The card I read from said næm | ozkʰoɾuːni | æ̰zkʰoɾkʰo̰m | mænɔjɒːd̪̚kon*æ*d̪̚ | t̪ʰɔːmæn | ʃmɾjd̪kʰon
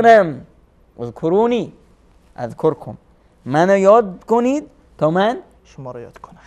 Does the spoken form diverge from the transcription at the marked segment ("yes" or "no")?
yes